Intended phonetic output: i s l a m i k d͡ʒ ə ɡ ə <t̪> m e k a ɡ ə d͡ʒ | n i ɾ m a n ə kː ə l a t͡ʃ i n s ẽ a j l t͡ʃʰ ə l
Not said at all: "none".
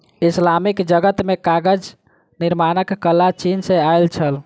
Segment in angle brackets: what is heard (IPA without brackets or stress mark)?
t̪